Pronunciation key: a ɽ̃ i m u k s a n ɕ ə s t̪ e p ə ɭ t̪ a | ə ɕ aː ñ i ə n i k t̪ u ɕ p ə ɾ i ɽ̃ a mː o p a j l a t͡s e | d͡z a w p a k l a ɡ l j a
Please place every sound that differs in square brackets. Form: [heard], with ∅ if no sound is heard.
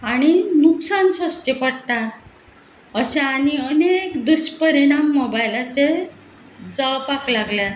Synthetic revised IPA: a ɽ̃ i [n] u k s a n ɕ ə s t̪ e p ə [ɽ] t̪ a | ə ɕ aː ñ i ə n [e] k [d̪] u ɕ p ə ɾ i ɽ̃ a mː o [b] a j l a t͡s e | d͡z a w p a k l a ɡ l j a